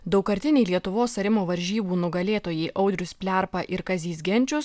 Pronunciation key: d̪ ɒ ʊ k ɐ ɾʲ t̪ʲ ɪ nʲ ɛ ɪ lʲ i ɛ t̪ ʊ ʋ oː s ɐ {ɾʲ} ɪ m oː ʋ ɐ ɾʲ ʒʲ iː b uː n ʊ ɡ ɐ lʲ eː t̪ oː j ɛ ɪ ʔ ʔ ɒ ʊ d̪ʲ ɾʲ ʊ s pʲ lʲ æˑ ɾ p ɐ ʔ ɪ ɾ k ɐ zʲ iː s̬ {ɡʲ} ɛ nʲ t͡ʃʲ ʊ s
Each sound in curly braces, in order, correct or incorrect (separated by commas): correct, correct